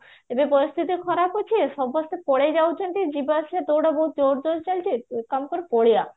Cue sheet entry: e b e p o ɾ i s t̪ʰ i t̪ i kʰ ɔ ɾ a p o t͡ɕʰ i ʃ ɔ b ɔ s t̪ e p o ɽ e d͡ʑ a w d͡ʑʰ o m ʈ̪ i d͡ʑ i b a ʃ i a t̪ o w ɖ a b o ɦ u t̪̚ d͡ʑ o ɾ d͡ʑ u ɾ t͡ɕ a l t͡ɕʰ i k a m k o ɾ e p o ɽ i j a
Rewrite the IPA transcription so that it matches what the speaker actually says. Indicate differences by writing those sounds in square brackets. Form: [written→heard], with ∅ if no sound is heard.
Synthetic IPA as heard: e b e p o ɾ i s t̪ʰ i t̪ i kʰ ɔ ɾ a p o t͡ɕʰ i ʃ ɔ b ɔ s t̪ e p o ɽ e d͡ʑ a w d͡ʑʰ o [m→n] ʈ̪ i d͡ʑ i b a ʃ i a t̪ o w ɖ a b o ɦ u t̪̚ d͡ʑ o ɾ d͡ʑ [u→o] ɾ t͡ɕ a l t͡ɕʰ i k a m k o ɾ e p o ɽ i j a